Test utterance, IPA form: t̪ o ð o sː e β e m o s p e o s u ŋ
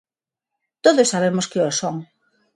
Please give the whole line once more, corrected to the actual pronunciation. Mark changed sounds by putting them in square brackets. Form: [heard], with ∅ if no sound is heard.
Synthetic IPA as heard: t̪ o ð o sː [a] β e m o s [k] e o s [o] ŋ